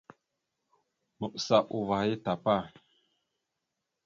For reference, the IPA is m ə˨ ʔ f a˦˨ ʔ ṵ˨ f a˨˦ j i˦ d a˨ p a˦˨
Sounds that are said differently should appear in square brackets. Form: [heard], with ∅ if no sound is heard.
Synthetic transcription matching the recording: m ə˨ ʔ [s] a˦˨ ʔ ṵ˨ [v] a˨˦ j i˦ [t] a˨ p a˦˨